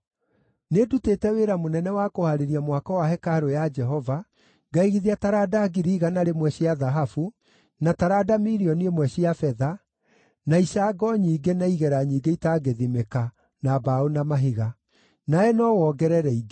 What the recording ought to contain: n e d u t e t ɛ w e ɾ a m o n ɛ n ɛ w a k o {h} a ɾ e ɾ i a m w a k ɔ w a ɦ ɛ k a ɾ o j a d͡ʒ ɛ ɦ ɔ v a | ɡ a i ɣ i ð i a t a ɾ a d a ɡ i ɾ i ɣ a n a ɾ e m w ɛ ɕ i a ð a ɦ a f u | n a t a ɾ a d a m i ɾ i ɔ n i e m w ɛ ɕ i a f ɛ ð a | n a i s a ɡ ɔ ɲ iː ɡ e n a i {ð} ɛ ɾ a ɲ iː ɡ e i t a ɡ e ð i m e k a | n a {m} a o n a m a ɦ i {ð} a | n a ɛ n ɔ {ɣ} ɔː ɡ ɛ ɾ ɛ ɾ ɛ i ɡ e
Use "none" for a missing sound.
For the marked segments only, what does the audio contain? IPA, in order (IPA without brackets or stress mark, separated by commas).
h, ɣ, b, ɣ, w